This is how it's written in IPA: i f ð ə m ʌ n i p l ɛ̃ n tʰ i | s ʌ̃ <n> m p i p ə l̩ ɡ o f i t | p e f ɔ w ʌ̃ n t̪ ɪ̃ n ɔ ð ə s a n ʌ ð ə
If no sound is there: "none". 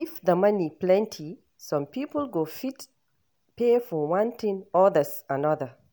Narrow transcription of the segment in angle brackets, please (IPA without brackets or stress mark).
none